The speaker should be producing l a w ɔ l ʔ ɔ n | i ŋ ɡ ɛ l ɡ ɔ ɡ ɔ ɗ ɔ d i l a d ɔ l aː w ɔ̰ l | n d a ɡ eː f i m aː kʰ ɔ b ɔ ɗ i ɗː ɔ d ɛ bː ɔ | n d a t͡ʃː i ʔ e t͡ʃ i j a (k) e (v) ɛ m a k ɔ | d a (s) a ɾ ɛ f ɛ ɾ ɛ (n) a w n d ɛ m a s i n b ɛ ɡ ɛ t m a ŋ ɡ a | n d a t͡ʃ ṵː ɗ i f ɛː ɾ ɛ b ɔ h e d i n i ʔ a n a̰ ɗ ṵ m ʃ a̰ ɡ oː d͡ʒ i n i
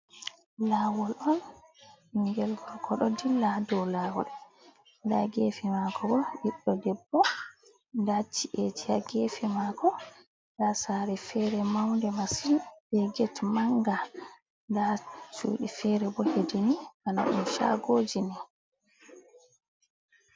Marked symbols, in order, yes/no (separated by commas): no, no, yes, no